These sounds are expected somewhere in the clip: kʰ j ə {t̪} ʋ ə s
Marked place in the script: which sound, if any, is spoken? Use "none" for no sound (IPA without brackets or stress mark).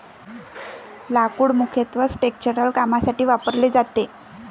t̪